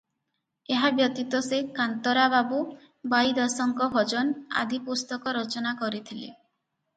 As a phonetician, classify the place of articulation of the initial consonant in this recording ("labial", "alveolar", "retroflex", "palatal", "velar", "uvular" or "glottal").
glottal